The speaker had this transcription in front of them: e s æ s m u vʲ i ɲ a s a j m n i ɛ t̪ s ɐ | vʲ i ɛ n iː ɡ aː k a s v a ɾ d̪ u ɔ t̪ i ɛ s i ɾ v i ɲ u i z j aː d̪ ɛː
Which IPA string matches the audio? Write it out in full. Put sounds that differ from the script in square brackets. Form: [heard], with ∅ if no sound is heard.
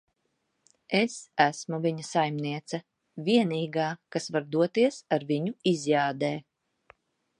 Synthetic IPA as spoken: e s æ s m u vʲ i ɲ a s a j m n i ɛ t̪ s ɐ | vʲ i ɛ n iː ɡ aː k a s v a ɾ d̪ u ɔ t̪ i ɛ s [a] ɾ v i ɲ u i z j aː d̪ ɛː

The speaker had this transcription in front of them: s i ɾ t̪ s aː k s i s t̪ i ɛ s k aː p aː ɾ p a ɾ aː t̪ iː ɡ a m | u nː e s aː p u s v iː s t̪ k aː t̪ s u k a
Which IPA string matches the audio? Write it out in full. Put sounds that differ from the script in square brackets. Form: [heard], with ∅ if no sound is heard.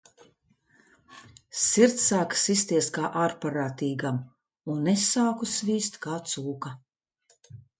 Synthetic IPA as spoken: s i ɾ t̪ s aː k s i s t̪ i ɛ s k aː [ʔ] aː ɾ p a ɾ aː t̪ iː ɡ a m | u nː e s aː [k] u s v iː s t̪ k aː t̪ s [uː] k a

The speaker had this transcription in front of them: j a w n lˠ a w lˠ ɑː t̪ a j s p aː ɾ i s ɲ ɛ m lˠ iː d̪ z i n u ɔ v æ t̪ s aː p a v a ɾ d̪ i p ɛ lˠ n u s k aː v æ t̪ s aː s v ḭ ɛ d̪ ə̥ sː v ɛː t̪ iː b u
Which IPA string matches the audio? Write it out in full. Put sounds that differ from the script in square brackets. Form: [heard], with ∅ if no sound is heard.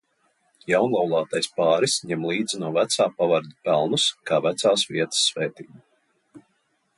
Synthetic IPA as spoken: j a w n lˠ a w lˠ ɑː t̪ a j s p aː ɾ i s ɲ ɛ m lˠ iː d̪ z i n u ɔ v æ t̪ s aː p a v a ɾ d̪ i p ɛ lˠ n u s k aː v æ t̪ s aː s v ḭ ɛ [t̪] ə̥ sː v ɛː t̪ iː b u

